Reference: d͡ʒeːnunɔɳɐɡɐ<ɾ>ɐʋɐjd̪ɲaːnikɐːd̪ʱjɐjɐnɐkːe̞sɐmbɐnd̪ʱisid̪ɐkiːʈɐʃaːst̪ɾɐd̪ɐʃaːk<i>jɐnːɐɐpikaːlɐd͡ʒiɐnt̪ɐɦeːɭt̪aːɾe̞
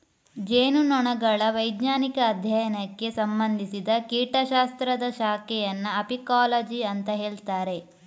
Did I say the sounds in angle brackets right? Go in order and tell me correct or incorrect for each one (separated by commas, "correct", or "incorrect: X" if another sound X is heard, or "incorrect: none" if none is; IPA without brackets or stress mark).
incorrect: ɭ, incorrect: ɛ